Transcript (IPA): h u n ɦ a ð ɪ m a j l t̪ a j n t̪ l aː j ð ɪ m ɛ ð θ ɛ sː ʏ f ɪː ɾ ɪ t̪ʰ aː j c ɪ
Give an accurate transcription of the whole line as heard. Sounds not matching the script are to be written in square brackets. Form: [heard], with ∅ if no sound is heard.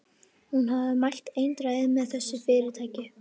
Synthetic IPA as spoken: h u n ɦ a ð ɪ m a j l t̪ [e] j n t̪ [ɾ] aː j ð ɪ m ɛ ð θ ɛ sː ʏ f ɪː ɾ ɪ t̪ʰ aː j c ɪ